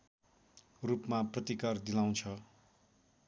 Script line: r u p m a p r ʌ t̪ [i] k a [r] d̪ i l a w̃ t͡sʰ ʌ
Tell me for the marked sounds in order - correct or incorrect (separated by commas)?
correct, correct